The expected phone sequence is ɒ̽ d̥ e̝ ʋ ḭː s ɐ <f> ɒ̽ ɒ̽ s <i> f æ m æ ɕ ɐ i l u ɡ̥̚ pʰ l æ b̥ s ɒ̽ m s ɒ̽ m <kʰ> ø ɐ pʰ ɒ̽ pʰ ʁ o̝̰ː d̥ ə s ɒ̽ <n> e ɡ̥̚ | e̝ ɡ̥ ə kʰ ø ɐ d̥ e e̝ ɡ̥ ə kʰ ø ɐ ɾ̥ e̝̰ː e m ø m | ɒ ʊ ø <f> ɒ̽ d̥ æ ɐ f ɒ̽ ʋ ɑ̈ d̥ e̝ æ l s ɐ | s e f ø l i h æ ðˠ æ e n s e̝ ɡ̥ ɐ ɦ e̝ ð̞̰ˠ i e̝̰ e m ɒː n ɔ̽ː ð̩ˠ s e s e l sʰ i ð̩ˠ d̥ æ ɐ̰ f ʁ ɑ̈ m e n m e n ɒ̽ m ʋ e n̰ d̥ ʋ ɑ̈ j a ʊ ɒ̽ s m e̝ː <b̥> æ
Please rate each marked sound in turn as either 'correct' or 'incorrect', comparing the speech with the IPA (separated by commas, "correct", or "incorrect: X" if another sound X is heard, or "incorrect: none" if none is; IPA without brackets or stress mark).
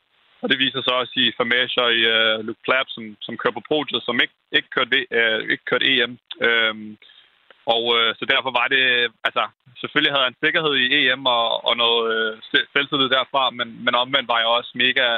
incorrect: s, correct, correct, incorrect: m, incorrect: s, incorrect: ɡ̥